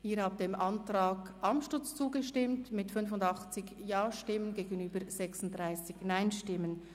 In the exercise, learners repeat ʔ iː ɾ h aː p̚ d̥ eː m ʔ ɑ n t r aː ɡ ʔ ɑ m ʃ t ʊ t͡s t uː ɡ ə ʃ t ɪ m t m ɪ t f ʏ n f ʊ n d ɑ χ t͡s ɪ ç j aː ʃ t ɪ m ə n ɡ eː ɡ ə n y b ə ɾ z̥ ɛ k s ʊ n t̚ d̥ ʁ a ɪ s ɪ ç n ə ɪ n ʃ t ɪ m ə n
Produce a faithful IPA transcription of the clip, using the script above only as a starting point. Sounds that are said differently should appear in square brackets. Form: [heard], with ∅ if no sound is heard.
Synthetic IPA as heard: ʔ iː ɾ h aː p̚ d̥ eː m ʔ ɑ n t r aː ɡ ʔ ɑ m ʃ t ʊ t͡s [t͡s] uː ɡ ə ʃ t ɪ m t m ɪ t f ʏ n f ʊ n d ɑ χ t͡s ɪ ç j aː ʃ t ɪ m ə n ɡ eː ɡ ə n [yː] b ə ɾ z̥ ɛ k s ʊ n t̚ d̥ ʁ a ɪ s ɪ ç n [a] ɪ n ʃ t ɪ m ə n